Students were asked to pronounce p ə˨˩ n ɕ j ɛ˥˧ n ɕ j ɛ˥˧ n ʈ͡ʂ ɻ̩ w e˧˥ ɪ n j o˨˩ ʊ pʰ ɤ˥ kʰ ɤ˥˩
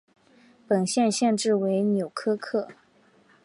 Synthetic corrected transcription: p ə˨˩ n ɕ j ɛ˥˧ n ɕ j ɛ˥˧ n ʈ͡ʂ ɻ̩ w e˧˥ ɪ n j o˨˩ ʊ kʰ ɤ˥ kʰ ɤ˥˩

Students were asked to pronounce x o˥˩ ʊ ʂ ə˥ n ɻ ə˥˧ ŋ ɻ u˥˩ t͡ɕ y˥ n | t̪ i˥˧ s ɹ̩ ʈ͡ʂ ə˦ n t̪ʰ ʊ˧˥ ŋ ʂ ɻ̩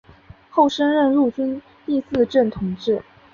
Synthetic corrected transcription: x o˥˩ ʊ ʂ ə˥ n ɻ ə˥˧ n ɻ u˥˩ t͡ɕ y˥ n | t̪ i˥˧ s ɹ̩ ʈ͡ʂ ə˥˩ n t̪ʰ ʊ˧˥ ŋ ʈ͡ʂ ɻ̩

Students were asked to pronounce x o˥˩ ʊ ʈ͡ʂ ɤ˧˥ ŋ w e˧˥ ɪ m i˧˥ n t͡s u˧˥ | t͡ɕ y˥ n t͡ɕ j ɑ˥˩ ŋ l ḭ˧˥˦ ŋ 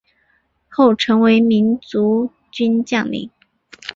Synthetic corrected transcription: x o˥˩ ʊ ʈ͡ʂʰ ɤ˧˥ ŋ w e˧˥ ɪ m i˧˥ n t͡s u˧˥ | t͡ɕ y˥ n t͡ɕ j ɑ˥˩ ŋ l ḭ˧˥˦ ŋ

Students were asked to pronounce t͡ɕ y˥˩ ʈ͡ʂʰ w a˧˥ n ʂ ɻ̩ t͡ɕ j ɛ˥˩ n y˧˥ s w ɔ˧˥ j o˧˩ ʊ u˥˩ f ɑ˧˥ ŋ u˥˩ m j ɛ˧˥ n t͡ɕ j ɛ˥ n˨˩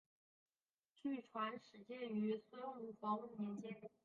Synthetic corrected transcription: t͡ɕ y˥˩ ʈ͡ʂʰ w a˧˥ n ʂ ɻ̩ t͡ɕ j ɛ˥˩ n y˧˥ s w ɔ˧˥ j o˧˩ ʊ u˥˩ f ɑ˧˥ ŋ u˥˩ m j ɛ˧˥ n t͡ɕ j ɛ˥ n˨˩

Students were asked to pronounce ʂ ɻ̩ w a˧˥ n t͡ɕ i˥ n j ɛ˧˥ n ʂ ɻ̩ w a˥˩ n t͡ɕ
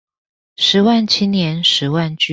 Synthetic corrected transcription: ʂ ɻ̩ w a˥˩ n t͡ɕʰ i˥ n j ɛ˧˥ n ʂ ɻ̩ w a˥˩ n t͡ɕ

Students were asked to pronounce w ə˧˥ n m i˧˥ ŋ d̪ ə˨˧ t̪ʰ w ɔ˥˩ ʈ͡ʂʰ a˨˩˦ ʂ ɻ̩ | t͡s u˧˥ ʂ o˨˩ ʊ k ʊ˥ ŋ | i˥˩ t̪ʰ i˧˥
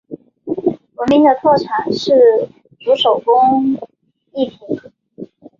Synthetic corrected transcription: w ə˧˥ n m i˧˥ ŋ d̪ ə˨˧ t̪ʰ w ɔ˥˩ ʈ͡ʂʰ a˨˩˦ ʂ ɻ̩ | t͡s u˧˥ ʂ o˨˩ ʊ k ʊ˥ ŋ | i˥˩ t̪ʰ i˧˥

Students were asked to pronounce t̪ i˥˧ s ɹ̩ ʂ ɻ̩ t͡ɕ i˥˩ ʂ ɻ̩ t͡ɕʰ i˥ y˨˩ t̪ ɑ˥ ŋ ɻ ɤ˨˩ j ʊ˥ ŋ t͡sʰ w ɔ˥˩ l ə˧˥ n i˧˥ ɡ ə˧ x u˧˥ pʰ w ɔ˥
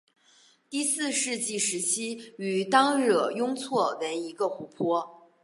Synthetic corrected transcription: t̪ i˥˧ s ɹ̩ ʂ ɻ̩ t͡ɕ i˥˩ ʂ ɻ̩ t͡ɕʰ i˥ y˨˩ t̪ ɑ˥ ŋ ɻ ɤ˨˩ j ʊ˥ ŋ t͡sʰ w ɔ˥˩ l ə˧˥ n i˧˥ ɡ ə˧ x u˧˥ pʰ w ɔ˥

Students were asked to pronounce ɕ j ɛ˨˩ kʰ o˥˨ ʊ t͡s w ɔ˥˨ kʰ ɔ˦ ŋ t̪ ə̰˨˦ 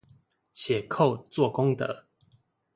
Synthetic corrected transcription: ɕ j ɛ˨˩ kʰ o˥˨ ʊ t͡s w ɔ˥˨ k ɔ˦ ŋ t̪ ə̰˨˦

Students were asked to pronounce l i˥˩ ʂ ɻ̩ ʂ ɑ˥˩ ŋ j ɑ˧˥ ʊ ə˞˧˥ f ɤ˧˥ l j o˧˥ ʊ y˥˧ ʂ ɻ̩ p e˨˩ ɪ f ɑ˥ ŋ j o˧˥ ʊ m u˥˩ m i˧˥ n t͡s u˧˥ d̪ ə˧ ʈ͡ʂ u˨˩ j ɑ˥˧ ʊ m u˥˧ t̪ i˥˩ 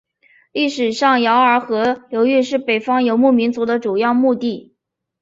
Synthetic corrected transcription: l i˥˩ ʂ ɻ̩ ʂ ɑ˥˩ ŋ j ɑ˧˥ ʊ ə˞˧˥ x ɤ˧˥ l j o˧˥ ʊ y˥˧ ʂ ɻ̩ p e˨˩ ɪ f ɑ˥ ŋ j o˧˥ ʊ m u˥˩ m i˧˥ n t͡s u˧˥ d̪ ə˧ ʈ͡ʂ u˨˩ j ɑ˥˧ ʊ m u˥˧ t̪ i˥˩

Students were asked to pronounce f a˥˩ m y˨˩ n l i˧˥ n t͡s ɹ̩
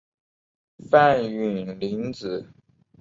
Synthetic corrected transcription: f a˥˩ n y˨˩ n l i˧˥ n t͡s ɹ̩

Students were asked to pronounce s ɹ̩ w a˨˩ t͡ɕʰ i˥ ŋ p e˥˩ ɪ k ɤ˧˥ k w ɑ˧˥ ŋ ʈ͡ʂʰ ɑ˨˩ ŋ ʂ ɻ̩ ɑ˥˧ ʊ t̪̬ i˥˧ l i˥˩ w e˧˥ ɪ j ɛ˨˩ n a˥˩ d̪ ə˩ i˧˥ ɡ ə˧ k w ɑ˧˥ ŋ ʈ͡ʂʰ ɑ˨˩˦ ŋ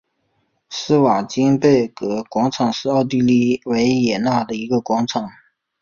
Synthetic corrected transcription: s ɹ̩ w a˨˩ t͡ɕ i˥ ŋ p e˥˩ ɪ k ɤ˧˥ k w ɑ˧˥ ŋ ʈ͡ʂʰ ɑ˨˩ ŋ ʂ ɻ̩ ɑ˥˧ ʊ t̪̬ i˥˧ l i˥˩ w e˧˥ ɪ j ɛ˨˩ n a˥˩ d̪ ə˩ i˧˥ ɡ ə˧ k w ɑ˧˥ ŋ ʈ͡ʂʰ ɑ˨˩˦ ŋ

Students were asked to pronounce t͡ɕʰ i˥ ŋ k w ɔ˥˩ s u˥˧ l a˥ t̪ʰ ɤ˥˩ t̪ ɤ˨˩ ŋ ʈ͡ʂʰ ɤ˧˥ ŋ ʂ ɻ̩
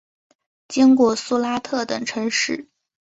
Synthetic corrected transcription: t͡ɕ i˥ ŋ k w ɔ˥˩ s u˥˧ l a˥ t̪ʰ ɤ˥˩ t̪ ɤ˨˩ ŋ ʈ͡ʂʰ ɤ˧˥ ŋ ʂ ɻ̩

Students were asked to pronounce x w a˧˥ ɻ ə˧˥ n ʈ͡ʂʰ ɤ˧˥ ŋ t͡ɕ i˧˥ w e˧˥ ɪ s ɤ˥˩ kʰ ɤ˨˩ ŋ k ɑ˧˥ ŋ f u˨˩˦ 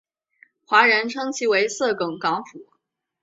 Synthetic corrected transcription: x w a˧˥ ɻ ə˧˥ n ʈ͡ʂʰ ɤ˥ ŋ t͡ɕʰ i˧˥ w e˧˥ ɪ s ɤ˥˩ k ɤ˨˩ ŋ k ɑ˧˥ ŋ f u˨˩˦

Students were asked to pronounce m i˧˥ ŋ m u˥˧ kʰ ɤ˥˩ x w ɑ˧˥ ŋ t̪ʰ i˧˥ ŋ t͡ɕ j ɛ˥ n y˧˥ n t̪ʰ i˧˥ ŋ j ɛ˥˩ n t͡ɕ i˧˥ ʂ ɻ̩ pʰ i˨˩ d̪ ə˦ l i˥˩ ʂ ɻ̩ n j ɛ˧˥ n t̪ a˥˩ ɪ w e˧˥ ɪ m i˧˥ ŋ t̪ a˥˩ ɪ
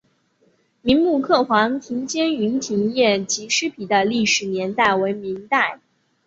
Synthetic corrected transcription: m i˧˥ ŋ m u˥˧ kʰ ɤ˥˩ x w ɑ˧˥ ŋ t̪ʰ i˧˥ ŋ t͡ɕ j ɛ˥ n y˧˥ n t̪ʰ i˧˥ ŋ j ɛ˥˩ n t͡ɕ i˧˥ ʂ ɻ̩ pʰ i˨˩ d̪ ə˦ l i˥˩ ʂ ɻ̩ n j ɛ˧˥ n t̪ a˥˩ ɪ w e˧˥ ɪ m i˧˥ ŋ t̪ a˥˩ ɪ

